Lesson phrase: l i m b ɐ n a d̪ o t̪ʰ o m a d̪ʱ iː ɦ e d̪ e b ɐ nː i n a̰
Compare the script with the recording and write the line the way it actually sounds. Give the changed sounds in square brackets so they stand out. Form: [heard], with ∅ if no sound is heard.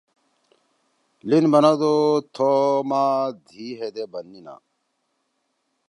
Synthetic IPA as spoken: l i [n] b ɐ n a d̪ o t̪ʰ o m a d̪ʱ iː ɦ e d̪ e b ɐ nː i n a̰